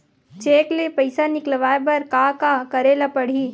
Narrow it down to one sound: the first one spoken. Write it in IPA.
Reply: t͡ʃ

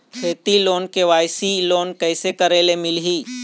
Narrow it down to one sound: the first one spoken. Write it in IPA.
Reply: kʰ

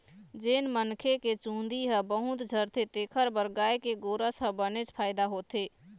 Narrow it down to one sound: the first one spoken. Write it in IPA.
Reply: d͡ʒ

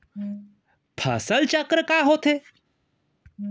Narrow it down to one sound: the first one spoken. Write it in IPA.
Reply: pʰ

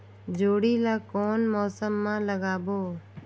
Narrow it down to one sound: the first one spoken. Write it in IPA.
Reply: d͡ʒ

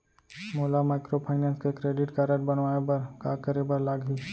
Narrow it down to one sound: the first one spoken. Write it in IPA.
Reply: m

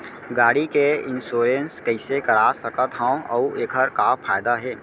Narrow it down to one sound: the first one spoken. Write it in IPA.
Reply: ɡ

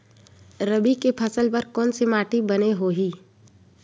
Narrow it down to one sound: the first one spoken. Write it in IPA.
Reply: ɾ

